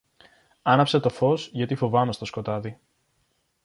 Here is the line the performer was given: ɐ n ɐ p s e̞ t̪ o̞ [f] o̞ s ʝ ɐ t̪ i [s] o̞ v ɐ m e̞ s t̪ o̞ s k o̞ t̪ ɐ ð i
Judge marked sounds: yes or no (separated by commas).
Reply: yes, no